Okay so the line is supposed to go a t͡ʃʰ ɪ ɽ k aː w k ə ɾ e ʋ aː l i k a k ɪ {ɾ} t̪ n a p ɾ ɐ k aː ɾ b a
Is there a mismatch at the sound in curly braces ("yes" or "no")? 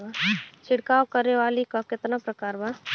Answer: yes